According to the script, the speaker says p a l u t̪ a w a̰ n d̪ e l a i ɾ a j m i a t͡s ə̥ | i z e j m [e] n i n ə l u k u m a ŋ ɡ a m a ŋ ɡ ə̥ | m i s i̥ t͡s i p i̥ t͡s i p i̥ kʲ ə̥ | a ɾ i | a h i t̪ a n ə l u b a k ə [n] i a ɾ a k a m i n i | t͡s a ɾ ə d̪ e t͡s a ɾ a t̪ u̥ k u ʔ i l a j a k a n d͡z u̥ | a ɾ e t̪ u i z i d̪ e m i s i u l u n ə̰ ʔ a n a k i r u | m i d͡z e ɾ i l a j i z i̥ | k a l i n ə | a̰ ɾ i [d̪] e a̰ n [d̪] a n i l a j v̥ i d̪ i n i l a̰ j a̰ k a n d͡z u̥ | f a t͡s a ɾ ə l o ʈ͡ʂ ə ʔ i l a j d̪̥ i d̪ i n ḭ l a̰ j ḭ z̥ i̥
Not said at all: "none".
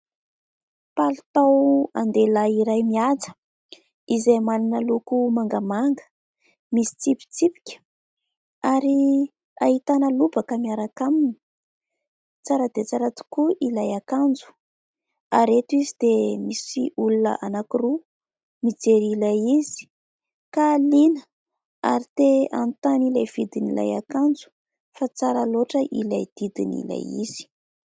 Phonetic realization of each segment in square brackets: a, m, t̪, t̪

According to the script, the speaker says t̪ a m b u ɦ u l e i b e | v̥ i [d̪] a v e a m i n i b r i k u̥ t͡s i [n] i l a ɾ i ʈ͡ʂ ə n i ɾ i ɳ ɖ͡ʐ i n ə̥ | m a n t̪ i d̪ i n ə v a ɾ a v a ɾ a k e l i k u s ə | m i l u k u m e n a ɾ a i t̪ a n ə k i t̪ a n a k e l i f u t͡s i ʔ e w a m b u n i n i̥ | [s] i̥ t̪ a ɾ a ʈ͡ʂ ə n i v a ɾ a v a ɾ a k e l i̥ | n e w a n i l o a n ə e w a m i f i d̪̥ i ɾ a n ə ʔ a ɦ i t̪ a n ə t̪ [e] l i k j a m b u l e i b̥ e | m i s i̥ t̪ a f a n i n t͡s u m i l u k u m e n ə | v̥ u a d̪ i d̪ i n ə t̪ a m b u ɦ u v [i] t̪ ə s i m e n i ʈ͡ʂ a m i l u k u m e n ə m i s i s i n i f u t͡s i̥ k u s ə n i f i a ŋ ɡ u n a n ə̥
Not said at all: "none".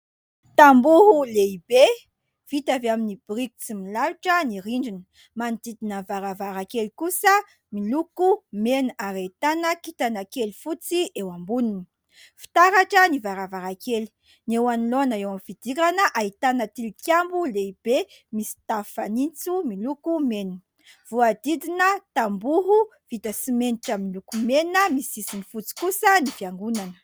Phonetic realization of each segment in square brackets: t̪, m, f, i, i

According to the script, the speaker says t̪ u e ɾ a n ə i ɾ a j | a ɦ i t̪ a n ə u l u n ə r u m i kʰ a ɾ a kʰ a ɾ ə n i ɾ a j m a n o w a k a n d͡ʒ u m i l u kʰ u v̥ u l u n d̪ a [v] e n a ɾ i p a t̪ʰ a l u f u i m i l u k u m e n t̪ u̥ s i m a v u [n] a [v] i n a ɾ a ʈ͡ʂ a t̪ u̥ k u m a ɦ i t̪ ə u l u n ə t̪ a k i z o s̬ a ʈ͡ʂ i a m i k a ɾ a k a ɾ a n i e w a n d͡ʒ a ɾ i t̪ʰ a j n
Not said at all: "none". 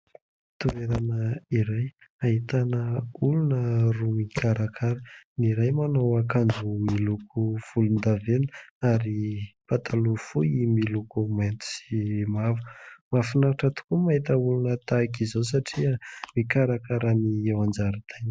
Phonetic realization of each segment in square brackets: v, m, f

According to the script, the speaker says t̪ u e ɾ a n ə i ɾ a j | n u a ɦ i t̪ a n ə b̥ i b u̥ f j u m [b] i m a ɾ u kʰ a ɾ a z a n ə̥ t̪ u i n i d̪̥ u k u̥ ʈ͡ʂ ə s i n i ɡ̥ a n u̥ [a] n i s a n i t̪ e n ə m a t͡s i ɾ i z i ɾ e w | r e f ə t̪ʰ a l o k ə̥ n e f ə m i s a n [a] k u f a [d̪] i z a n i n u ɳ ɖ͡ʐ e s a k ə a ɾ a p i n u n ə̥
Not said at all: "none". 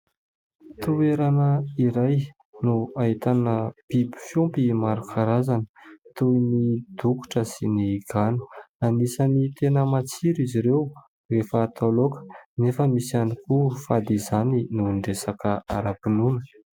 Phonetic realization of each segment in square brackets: p, a, i, d̪

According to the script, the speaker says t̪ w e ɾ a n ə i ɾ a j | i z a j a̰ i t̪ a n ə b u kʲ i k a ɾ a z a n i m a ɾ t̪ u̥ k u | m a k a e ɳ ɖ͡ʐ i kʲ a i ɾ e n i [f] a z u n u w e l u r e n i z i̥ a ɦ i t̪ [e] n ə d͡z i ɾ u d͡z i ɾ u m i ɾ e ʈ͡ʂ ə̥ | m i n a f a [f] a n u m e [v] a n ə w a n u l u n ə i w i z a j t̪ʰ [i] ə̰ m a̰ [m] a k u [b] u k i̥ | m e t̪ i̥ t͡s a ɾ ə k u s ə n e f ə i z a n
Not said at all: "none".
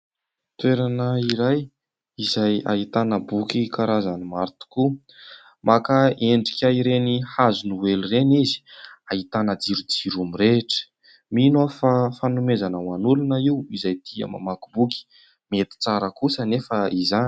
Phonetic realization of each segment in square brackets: h, a, f, z, i, m, b

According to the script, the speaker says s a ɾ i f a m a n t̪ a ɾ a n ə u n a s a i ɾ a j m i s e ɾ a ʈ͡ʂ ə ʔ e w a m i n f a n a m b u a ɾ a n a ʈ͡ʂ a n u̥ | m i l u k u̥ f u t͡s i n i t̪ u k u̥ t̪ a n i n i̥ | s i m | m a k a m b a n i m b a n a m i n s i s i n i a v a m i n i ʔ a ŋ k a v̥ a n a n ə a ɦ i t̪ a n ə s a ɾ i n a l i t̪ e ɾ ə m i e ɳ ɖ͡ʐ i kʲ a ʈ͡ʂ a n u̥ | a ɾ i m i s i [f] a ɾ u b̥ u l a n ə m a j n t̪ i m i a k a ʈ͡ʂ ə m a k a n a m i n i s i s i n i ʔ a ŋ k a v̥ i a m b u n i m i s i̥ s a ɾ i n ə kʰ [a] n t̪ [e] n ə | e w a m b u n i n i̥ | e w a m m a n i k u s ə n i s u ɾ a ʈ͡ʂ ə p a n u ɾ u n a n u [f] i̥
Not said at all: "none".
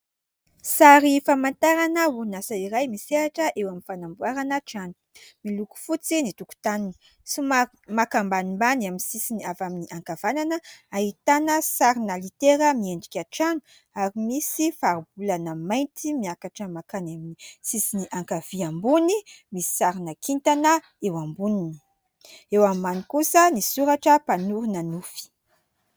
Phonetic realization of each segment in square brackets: f, i, a, f

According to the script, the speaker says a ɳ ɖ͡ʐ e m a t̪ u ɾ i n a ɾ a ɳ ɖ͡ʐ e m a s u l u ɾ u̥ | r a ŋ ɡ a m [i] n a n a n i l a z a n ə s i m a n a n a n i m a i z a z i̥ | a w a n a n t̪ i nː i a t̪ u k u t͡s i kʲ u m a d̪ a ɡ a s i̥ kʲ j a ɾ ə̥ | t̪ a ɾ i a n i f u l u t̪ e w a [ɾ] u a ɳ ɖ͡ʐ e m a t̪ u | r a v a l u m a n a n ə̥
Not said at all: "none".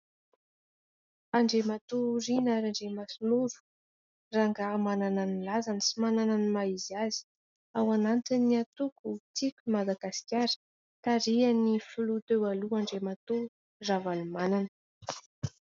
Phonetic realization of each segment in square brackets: a, l

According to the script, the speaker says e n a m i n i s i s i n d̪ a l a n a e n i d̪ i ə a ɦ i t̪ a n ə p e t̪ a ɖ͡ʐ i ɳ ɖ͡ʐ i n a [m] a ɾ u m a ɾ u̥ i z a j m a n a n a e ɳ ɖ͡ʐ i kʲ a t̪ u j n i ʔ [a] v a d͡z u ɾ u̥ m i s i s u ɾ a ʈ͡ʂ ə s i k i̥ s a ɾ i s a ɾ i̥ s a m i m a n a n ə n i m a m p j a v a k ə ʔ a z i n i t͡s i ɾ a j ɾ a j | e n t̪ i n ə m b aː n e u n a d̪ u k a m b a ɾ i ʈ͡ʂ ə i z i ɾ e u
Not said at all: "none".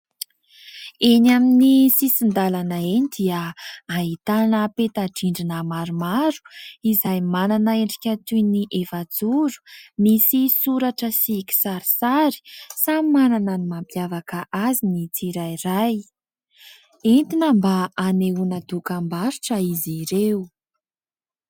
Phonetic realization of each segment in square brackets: m, e

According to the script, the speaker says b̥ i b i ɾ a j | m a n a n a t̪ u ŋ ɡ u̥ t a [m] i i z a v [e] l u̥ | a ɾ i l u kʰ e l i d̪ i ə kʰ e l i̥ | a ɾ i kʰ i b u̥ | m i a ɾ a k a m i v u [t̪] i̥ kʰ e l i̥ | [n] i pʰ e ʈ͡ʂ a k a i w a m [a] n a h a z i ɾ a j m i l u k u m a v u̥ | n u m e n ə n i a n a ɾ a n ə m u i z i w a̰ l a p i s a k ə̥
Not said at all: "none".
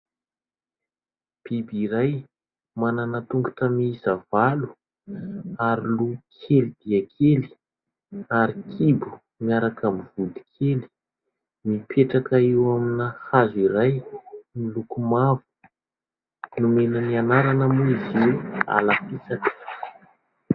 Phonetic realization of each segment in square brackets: m, a, d̪, m, i

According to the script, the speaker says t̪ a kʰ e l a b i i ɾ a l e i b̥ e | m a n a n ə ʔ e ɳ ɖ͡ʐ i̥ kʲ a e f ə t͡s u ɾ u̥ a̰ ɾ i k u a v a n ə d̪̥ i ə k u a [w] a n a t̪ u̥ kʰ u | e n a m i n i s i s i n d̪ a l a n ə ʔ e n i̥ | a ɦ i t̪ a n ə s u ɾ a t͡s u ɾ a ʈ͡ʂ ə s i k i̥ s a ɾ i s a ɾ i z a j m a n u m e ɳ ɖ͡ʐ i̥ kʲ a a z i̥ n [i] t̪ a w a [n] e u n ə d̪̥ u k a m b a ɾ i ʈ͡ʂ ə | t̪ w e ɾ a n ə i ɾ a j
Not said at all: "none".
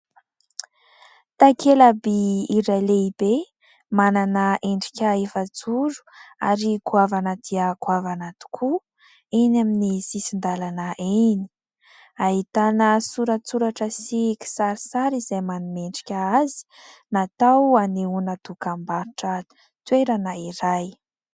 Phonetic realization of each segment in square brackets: v, a, n

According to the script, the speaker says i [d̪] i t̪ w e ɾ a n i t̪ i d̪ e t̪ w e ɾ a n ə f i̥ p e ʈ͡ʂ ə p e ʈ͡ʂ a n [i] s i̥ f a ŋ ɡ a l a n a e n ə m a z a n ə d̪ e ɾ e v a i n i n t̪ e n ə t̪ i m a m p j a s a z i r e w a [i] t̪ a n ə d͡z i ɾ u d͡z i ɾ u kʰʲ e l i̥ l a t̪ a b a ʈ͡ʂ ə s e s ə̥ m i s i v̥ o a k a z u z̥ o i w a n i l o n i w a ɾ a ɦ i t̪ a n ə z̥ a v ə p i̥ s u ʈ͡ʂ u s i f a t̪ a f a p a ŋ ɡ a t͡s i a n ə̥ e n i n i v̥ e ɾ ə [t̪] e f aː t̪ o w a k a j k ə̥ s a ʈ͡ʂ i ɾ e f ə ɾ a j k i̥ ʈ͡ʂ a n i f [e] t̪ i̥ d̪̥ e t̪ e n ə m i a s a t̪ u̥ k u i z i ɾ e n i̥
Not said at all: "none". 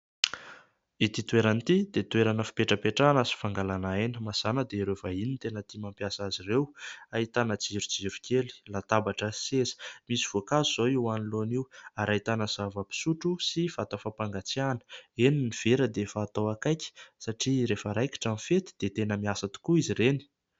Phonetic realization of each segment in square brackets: t̪, a, i, d̪, e

